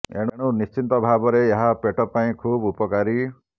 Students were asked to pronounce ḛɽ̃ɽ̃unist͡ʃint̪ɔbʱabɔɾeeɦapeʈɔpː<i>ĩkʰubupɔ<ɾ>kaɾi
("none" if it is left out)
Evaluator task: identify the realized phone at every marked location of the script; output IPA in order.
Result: a, none

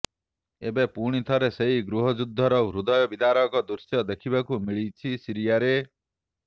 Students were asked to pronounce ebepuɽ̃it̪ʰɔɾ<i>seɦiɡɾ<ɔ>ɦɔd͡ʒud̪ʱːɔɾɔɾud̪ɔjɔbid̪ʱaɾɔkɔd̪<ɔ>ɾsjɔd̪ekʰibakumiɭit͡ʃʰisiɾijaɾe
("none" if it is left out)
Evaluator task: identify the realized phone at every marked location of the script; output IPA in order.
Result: e, u, u

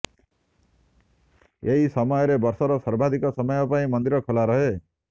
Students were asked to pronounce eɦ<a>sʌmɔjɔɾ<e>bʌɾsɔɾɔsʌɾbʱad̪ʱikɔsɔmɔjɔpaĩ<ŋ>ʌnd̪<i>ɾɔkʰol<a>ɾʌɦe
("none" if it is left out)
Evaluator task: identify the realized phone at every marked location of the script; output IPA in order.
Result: i, e, m, i, a

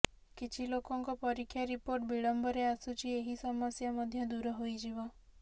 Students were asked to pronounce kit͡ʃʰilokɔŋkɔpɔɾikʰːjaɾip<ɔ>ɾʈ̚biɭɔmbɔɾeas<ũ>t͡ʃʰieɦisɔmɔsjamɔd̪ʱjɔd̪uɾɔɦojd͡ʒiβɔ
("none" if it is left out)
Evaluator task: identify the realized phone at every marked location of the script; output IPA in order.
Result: o, u

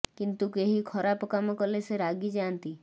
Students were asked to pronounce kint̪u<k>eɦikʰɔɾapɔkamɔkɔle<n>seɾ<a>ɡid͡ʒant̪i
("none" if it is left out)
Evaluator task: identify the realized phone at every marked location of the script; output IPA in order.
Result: k, none, a

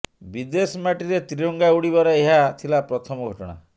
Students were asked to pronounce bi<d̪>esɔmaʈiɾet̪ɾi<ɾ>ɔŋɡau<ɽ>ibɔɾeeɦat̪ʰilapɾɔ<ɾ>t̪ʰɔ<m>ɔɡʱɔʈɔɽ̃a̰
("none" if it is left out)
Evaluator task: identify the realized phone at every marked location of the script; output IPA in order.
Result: d̪, ɾ, ɽ, none, m

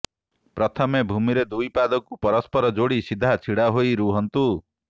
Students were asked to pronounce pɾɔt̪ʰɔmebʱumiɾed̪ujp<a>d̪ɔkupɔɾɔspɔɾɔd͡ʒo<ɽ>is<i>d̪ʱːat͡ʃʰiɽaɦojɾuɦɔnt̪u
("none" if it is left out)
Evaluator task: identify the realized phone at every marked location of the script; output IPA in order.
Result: a, ɽ, i

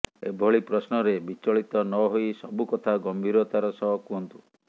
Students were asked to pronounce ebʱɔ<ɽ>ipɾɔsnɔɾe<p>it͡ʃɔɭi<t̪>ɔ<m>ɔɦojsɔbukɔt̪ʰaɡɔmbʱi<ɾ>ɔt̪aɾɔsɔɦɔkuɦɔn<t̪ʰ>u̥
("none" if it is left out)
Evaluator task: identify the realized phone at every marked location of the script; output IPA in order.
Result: ɭ, b, t̪, n, ɾ, t̪

